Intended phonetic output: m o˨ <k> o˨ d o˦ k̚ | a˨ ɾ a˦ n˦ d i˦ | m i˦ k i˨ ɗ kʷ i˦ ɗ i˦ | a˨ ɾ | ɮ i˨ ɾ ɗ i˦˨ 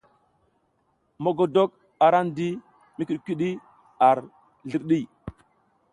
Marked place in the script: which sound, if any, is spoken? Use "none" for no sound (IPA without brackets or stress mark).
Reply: ɡ